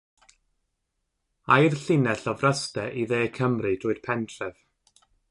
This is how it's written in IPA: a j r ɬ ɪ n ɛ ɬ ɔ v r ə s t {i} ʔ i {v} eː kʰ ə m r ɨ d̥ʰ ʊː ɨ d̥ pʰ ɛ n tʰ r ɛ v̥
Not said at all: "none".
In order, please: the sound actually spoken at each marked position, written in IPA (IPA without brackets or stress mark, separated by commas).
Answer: ɛ, ð